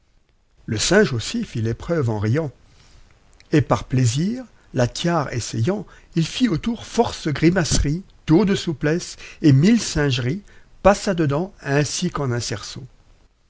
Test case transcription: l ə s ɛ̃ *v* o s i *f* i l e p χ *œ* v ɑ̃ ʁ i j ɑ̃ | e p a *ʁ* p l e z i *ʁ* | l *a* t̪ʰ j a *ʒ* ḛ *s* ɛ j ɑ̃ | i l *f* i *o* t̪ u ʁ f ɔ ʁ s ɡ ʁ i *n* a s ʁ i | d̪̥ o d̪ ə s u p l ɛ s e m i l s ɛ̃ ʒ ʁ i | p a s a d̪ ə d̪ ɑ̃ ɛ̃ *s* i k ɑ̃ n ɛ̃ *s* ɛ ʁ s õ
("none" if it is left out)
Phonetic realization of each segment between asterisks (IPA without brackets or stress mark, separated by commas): ʒ, f, œ, ʁ, ʁ, a, ʁ, s, f, o, m, s, s